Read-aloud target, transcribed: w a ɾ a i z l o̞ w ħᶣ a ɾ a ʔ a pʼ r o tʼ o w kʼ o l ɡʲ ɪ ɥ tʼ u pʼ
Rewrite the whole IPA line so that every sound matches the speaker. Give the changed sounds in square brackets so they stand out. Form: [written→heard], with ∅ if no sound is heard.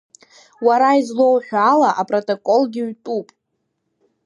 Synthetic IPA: w a ɾ a i z l o̞ w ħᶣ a [ɾ→l] a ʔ a pʼ r o tʼ o [w→∅] kʼ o l ɡʲ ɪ ɥ tʼ u pʼ

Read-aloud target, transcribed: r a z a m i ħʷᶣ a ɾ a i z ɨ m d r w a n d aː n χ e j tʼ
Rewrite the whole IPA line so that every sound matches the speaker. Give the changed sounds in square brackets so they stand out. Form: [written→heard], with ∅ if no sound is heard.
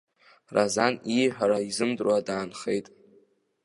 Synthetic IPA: r a z a [m→n] i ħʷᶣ a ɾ a i z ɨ m d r w a [n→∅] d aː n χ e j tʼ

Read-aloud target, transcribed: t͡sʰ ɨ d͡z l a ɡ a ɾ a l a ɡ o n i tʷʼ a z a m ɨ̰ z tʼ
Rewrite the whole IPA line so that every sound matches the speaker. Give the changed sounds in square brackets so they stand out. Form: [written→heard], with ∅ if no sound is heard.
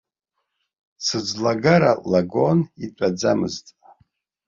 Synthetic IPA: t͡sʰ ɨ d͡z l a ɡ a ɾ a l a ɡ o n i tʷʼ a [z→d͡z] a m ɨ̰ z tʼ

